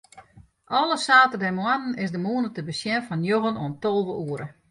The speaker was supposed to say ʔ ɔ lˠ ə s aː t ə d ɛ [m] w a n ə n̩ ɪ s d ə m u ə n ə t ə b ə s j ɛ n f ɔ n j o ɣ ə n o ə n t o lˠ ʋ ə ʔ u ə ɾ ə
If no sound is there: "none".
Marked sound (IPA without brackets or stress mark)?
m